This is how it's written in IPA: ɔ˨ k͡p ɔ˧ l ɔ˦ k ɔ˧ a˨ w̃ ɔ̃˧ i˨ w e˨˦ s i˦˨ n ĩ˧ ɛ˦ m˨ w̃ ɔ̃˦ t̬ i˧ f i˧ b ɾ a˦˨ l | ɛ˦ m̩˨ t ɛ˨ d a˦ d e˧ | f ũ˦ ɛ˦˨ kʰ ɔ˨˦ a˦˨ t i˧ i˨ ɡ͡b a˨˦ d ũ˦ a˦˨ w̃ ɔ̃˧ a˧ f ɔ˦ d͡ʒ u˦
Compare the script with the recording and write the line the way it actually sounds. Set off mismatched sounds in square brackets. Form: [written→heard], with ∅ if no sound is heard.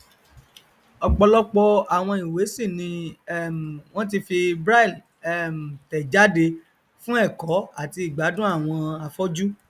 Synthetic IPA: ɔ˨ k͡p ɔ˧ l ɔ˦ [k→k͡p] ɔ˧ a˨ w̃ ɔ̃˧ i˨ w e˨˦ s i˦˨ n ĩ˧ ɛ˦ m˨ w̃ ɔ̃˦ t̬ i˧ f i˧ b ɾ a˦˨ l | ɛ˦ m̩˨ t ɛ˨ [d→d͡ʒ] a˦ d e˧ | f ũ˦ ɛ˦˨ [kʰ→k] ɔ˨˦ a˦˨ t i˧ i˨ ɡ͡b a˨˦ d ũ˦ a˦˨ w̃ ɔ̃˧ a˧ f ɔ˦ d͡ʒ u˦